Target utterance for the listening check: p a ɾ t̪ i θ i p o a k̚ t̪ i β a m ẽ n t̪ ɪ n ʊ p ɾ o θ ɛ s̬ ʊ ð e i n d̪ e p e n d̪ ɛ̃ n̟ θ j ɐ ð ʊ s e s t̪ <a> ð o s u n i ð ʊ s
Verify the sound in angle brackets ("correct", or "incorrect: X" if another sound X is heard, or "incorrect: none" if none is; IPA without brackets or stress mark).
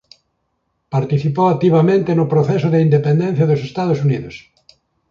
correct